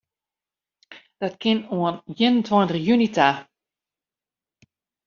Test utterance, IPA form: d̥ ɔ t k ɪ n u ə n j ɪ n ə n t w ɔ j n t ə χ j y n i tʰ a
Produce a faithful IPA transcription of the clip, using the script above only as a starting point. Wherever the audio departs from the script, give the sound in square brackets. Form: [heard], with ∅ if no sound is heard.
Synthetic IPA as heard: d̥ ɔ t k ɪ n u ə n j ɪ n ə n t w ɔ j n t ə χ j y n i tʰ a